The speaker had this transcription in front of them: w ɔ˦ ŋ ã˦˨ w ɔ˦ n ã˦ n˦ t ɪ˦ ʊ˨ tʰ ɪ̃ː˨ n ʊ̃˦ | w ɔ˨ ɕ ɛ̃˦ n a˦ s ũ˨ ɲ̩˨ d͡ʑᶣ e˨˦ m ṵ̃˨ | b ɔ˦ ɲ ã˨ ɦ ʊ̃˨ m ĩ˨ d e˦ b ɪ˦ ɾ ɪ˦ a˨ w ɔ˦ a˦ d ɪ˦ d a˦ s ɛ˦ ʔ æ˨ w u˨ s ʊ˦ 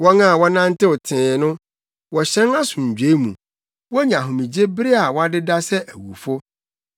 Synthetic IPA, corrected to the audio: w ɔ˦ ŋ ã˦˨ w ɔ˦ n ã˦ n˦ t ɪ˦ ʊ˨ tʰ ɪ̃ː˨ n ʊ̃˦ | w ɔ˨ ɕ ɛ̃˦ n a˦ s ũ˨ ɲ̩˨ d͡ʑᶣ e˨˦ m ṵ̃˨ | w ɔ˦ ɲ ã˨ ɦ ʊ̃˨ m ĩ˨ d͡ʑ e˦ b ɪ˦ ɾ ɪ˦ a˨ w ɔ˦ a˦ d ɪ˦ d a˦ s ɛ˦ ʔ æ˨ w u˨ f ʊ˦